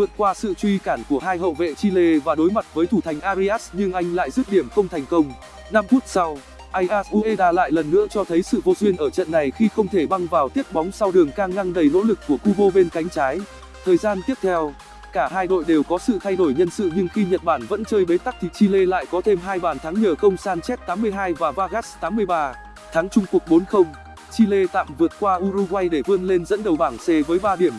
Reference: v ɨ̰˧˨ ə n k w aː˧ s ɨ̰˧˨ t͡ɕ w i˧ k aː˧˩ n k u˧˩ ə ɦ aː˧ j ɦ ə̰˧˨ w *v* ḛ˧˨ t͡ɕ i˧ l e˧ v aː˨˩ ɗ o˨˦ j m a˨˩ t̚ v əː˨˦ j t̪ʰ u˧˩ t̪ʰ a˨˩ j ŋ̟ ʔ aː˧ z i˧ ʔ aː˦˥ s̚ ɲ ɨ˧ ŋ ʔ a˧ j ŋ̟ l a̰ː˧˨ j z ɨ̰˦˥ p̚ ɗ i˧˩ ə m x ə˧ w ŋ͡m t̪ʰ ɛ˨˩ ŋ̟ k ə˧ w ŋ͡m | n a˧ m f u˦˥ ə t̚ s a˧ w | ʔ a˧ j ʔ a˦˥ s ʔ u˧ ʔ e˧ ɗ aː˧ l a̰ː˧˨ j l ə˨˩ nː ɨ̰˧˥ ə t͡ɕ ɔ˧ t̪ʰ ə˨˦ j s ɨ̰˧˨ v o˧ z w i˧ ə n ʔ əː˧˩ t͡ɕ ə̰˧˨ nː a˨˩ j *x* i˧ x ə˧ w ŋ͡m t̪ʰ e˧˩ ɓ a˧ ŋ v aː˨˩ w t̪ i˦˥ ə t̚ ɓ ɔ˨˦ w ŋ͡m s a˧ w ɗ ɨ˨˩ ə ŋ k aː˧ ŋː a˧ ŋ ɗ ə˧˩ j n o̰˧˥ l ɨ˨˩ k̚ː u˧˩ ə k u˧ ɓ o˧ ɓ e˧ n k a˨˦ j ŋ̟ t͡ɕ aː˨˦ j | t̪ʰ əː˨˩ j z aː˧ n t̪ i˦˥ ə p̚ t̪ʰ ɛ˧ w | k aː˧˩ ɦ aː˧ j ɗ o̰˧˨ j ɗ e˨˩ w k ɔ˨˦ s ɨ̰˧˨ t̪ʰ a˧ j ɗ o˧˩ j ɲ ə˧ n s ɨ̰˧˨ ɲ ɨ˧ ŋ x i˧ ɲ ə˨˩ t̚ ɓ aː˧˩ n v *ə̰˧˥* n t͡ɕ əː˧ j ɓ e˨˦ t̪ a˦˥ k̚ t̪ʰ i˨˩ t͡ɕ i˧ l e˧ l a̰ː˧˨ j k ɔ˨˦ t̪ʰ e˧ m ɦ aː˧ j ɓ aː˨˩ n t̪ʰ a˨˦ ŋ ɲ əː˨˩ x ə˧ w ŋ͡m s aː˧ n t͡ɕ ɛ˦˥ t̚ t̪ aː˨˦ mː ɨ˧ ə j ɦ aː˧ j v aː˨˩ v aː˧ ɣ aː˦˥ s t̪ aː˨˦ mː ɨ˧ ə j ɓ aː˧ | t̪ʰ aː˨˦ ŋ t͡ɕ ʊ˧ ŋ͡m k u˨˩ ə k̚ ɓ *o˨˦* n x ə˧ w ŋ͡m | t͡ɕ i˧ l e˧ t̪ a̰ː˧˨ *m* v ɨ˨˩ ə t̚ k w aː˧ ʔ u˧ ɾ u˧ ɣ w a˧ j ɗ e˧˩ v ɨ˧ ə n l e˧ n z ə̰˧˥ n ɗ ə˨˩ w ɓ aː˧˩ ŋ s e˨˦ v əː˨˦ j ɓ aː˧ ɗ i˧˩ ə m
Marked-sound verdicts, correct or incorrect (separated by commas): correct, correct, correct, correct, correct